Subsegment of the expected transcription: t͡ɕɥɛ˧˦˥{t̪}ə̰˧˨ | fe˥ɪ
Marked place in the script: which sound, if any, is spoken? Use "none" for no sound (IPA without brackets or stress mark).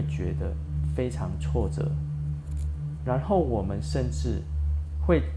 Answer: d̪